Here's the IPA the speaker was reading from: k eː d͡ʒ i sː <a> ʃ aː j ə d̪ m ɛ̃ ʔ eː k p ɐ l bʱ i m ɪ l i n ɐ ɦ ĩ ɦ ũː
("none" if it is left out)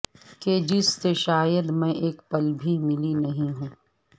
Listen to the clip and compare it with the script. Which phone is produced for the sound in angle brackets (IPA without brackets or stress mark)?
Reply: e